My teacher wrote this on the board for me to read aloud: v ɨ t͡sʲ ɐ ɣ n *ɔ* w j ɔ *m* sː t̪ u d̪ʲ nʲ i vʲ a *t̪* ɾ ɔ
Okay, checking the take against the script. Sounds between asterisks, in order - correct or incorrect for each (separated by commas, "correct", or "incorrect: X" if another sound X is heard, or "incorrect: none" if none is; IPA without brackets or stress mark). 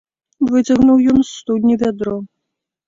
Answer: incorrect: u, incorrect: n, incorrect: d̪